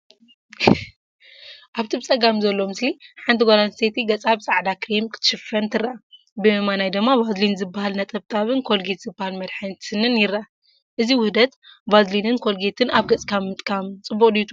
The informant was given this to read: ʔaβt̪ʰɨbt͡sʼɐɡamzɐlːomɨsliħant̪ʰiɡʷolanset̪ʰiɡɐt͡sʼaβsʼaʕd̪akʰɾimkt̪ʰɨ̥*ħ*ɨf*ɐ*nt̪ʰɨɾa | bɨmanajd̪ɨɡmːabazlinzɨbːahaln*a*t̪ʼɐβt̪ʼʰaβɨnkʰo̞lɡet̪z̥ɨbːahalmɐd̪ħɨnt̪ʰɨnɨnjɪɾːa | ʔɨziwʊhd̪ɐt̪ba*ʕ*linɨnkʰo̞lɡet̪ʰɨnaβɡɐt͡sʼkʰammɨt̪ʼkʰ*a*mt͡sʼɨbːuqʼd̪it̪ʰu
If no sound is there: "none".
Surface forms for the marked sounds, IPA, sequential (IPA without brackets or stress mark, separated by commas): ʃ, ɐ, ɐ, z, a